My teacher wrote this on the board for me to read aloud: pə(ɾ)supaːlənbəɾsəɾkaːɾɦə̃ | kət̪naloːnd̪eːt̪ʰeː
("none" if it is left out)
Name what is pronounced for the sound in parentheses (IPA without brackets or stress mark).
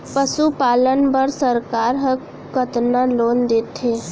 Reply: none